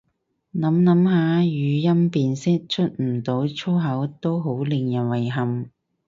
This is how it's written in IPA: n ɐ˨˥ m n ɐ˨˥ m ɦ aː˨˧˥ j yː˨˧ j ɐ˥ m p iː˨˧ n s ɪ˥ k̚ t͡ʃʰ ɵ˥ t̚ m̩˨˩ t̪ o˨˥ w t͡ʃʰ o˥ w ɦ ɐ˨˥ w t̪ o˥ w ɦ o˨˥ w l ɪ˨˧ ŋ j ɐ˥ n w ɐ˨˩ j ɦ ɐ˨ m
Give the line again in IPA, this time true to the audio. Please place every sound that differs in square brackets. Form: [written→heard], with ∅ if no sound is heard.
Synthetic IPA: n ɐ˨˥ m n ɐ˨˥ m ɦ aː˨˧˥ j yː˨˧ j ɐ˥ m p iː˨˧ n s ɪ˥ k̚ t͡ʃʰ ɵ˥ t̚ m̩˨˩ t̪ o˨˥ w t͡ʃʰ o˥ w ɦ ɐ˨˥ w t̪ o˥ w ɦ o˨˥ w l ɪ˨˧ ŋ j [ɐ˥→ɐ˨˩] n w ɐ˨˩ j ɦ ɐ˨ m